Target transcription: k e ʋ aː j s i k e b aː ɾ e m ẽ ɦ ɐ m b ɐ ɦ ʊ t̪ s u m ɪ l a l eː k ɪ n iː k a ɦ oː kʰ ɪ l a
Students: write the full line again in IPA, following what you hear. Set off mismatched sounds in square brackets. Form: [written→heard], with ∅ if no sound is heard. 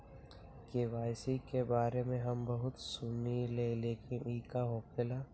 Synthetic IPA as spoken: k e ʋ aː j s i k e b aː ɾ e m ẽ ɦ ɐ m b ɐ ɦ ʊ t̪ s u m [ɪ→i] l [a→e] l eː k ɪ n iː k a ɦ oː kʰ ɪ l a